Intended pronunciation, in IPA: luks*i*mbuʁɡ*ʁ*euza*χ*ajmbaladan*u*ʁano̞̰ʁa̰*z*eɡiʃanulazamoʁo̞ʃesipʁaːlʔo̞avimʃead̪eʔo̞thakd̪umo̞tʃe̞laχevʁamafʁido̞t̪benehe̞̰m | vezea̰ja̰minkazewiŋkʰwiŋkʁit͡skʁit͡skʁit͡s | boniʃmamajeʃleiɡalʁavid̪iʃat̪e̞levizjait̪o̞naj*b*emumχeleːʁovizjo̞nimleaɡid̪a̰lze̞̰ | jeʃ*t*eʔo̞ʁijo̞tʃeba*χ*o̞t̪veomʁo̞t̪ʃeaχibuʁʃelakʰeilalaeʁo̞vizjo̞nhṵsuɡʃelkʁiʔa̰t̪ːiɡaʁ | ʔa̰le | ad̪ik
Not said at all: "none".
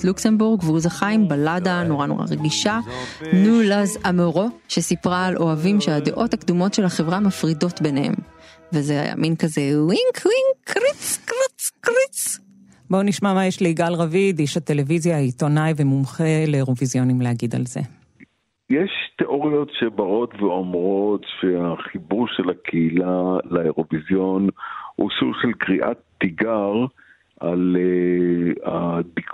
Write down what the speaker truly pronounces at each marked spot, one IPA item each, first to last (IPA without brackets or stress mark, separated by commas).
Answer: e, v, χ, o, ʁ, v, t, ʁ